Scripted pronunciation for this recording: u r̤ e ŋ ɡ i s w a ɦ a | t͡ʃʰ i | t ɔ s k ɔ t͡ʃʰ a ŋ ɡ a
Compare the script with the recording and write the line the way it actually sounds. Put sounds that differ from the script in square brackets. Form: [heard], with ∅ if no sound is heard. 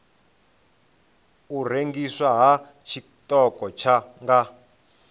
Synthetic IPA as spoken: u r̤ e ŋ ɡ i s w a ɦ a | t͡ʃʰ i | t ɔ [∅] k ɔ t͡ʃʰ a ŋ ɡ a